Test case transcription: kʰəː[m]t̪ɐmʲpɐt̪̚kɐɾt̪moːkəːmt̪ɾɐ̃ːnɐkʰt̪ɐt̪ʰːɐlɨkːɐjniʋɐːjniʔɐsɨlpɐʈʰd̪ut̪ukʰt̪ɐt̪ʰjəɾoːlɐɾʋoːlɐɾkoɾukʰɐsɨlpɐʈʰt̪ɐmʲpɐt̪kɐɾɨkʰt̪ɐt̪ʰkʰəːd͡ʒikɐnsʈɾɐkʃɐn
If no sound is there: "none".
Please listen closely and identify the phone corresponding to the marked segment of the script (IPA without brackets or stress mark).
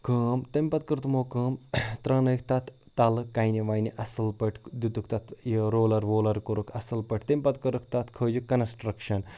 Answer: m